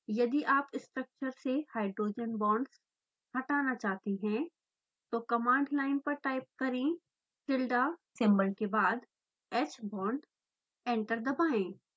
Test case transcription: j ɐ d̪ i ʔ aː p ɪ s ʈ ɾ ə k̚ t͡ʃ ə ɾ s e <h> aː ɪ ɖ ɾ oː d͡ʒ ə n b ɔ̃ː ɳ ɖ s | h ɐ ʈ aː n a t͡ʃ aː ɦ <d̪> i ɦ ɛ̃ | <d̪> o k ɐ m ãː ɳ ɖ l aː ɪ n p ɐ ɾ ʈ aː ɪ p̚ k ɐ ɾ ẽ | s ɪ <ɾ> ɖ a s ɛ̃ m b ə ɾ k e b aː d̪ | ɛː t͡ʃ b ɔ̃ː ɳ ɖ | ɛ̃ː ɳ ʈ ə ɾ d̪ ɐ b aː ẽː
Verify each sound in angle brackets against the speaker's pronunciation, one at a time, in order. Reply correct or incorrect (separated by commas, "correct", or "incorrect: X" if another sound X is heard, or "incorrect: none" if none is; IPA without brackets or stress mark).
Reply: correct, incorrect: t̪, incorrect: t̪, incorrect: l